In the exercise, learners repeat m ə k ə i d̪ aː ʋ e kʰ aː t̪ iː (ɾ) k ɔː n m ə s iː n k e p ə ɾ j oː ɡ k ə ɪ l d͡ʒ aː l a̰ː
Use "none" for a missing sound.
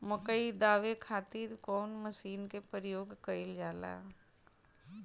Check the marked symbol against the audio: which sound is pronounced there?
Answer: ɾ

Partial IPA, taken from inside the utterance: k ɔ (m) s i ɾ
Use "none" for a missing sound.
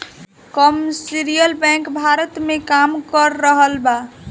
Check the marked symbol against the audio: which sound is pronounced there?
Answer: m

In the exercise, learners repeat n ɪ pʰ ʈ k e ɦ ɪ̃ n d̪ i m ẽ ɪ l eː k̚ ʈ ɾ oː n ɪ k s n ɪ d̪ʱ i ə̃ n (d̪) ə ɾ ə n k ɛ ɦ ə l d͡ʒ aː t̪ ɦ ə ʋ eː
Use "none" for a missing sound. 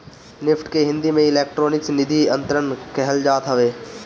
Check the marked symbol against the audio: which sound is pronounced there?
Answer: t̪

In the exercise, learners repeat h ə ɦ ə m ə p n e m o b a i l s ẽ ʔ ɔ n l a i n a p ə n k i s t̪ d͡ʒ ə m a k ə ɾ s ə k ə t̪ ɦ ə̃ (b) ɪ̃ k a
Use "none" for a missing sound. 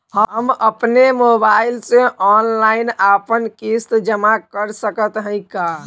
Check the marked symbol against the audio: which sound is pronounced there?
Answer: none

